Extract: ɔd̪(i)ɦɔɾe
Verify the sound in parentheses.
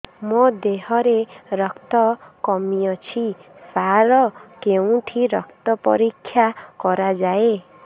incorrect: e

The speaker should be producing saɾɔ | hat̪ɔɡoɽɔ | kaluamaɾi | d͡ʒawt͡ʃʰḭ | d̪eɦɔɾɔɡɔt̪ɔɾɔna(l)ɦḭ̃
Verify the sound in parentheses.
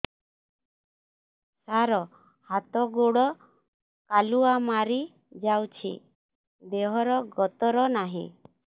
incorrect: none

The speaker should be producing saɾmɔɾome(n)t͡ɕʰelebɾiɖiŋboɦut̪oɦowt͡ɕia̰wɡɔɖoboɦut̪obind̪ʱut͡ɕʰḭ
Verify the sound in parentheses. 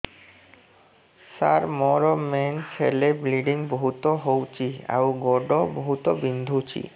correct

